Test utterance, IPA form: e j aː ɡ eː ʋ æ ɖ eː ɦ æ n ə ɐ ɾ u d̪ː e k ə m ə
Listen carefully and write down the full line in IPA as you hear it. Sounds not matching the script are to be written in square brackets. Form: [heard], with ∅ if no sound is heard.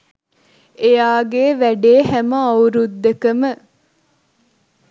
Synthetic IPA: e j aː ɡ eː ʋ æ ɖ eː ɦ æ [m] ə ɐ ɾ u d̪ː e k ə m ə